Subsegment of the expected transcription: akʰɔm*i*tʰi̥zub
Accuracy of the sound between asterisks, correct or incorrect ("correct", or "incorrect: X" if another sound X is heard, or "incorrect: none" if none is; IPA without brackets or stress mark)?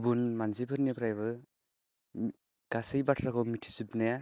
correct